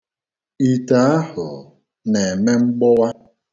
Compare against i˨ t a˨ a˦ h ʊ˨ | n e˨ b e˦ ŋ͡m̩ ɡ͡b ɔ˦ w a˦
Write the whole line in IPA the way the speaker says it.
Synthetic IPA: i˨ t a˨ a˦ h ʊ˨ | n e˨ m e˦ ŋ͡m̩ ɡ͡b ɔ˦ w a˦